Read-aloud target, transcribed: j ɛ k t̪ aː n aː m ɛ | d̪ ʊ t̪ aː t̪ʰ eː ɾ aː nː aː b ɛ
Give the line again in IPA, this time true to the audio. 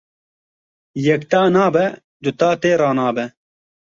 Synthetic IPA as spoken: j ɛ k t̪ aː n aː b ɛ | d̪ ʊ t̪ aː t̪ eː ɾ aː n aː b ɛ